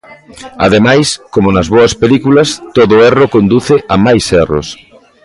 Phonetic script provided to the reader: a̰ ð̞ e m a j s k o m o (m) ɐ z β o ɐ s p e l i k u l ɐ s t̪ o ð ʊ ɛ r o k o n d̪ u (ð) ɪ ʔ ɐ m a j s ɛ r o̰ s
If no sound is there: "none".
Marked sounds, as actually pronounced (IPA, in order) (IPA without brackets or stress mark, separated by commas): n, θ